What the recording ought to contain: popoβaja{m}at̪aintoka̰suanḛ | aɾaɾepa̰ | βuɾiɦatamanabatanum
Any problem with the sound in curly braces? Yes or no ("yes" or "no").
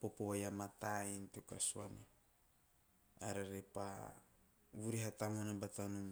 no